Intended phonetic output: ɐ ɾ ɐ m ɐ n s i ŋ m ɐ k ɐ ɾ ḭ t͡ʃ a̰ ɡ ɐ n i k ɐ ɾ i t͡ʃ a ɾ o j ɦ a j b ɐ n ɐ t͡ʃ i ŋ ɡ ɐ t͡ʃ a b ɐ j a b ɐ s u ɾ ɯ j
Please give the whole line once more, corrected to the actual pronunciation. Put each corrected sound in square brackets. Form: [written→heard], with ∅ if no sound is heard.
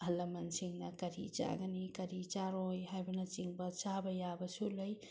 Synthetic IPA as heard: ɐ [ɾ→l] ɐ m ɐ n s i ŋ [m→n] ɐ k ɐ ɾ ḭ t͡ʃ a̰ ɡ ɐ n i k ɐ ɾ i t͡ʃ a ɾ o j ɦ a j b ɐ n ɐ t͡ʃ i ŋ [ɡ→b] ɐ t͡ʃ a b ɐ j a b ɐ s u [ɾ→l] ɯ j